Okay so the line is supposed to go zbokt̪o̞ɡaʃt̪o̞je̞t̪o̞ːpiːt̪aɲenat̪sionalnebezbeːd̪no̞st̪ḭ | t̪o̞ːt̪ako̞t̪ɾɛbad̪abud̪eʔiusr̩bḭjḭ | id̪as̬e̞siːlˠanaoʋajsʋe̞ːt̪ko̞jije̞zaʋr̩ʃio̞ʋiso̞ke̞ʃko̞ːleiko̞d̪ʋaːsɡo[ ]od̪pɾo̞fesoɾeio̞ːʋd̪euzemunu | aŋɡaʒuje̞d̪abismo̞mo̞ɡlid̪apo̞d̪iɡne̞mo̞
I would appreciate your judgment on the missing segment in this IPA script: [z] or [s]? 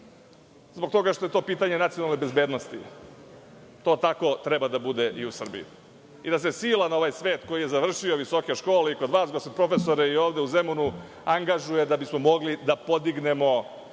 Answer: s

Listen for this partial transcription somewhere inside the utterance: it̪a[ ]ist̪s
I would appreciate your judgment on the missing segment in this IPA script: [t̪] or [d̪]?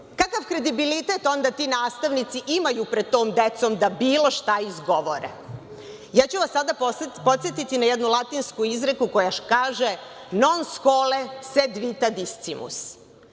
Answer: d̪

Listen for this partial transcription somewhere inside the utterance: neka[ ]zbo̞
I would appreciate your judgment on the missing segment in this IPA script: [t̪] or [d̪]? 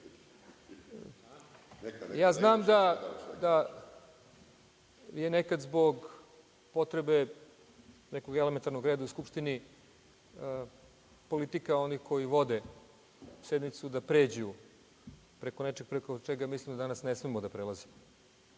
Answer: d̪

